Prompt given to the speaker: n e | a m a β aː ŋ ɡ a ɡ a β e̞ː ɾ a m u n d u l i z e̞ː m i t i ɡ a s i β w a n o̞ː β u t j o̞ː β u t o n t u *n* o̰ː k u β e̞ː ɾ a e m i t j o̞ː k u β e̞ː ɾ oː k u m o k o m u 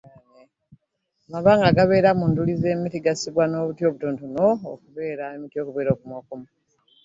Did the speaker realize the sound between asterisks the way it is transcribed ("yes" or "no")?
yes